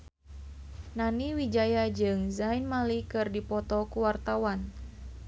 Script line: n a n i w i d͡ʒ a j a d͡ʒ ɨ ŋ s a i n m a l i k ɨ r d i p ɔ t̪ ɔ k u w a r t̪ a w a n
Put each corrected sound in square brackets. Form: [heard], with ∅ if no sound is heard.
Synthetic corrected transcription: n a n i w i d͡ʒ a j a d͡ʒ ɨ ŋ [z] a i n m a l i k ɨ r d i p ɔ t̪ ɔ k u w a r t̪ a w a n

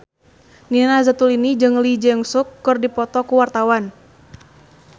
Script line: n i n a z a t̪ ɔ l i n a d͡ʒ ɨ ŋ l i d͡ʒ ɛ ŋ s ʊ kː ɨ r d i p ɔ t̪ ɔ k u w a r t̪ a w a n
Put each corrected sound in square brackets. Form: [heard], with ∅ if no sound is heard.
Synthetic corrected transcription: n i n a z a t̪ [u] l i n [i] d͡ʒ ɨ ŋ l i d͡ʒ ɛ ŋ s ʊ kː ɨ r d i p ɔ t̪ ɔ k u w a r t̪ a w a n

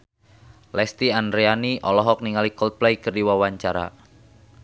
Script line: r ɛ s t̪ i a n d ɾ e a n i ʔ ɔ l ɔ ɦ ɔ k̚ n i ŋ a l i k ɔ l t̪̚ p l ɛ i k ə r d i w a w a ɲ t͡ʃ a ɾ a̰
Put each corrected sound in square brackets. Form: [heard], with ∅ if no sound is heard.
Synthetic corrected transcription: [l] ɛ s t̪ i a n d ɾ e a n i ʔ ɔ l ɔ ɦ ɔ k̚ n i ŋ a l i k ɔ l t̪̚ p l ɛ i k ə r d i w a w a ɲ t͡ʃ a ɾ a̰

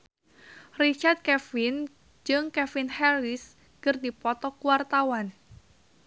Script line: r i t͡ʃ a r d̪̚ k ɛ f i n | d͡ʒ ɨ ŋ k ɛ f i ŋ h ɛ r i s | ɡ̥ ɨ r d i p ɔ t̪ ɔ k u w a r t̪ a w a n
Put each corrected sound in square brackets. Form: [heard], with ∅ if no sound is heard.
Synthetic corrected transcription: r i t͡ʃ a r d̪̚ k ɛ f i n | d͡ʒ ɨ ŋ k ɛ f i [n] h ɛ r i s | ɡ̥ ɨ r d i p ɔ t̪ ɔ k u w a r t̪ a w a n

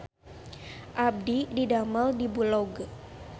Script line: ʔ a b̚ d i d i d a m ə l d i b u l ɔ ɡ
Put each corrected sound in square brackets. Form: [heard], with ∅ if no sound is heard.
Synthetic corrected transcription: ʔ a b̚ d i d i d a m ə l d i b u l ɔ ɡ

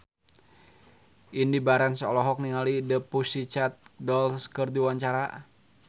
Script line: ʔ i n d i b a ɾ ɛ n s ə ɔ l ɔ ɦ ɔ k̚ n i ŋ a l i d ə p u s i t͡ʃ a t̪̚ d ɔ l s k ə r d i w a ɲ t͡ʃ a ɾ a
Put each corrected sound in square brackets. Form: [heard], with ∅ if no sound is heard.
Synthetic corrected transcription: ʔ i n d i b a ɾ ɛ n s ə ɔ l ɔ ɦ ɔ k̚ n i ŋ a l i d ə p u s i t͡ʃ a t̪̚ d ɔ l s k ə r d i w a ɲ t͡ʃ a ɾ a

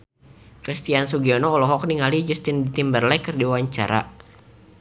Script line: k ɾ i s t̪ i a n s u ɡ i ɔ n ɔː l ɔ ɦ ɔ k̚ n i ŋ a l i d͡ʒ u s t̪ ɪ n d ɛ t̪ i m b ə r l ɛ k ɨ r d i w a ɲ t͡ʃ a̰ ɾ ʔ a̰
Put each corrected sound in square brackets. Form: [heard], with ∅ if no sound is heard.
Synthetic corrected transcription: k ɾ i s t̪ i a n s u ɡ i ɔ n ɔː l ɔ ɦ ɔ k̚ n i ŋ a l i d͡ʒ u s t̪ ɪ n d [i] t̪ i m b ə r l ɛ k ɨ r d i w a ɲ t͡ʃ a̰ ɾ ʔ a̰

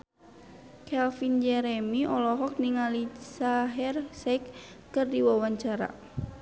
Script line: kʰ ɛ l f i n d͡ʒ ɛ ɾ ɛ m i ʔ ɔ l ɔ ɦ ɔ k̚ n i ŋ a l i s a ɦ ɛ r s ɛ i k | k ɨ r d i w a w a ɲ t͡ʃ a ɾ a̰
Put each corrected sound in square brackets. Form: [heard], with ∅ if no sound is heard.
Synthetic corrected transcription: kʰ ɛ l f i n d͡ʒ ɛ ɾ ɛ m i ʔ ɔ l ɔ ɦ ɔ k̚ n i ŋ a l i s a ɦ ɛ r s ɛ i k | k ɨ r d i w a w a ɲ t͡ʃ a ɾ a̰

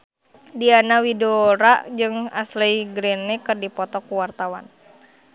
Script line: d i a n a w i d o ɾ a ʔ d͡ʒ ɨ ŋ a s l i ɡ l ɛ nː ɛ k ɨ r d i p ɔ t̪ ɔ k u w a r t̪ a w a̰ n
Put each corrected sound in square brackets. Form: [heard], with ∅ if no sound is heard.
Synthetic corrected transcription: d i a n a w i d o ɾ a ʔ d͡ʒ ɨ ŋ a s l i ɡ [ɾ] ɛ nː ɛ k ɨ r d i p ɔ t̪ ɔ k u w a r t̪ a w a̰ n

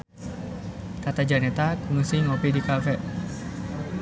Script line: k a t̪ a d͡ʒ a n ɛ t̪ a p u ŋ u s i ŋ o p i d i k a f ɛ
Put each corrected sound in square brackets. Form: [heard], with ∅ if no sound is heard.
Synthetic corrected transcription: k a t̪ a d͡ʒ a n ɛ t̪ a [k] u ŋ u s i ŋ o p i d i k a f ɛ

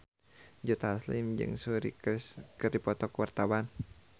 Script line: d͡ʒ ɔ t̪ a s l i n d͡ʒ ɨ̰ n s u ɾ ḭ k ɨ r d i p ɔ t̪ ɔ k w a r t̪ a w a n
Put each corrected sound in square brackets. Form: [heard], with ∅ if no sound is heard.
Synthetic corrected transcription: d͡ʒ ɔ t̪ a s l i [m] d͡ʒ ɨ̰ [ŋ] s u ɾ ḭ k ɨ r d i p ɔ t̪ ɔ k w a r t̪ a w a n

